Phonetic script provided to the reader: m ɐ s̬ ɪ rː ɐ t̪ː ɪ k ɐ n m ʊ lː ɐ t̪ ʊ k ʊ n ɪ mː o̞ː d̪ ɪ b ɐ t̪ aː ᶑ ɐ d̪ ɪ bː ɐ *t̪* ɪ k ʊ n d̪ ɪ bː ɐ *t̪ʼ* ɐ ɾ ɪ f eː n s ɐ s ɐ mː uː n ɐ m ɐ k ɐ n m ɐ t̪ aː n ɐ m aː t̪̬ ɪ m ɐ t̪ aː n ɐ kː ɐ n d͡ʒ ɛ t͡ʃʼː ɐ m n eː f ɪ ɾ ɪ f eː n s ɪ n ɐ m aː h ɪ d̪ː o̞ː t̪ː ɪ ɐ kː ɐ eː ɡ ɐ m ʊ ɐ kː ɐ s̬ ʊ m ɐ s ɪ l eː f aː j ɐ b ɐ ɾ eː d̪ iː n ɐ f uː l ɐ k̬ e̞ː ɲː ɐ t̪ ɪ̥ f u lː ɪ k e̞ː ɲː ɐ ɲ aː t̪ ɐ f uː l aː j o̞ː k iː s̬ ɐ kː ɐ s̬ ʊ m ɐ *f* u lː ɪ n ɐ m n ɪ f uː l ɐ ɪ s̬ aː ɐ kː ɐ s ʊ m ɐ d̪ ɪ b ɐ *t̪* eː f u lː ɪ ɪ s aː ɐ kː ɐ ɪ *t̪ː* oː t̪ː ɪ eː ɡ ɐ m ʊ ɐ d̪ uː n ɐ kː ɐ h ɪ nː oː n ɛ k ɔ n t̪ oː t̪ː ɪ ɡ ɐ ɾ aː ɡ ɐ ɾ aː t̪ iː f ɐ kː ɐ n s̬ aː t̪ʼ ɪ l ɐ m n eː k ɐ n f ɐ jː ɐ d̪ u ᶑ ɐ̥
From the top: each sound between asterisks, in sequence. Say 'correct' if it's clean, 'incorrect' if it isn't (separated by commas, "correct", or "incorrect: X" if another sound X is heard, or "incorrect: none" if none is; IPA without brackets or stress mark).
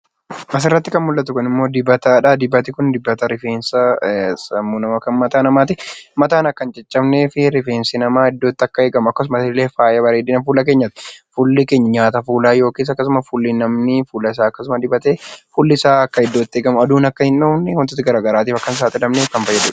correct, incorrect: t̪, correct, correct, incorrect: d̪ː